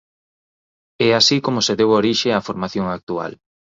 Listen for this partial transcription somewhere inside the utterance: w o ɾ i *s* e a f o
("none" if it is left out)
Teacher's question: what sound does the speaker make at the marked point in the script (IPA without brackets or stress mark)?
ʃ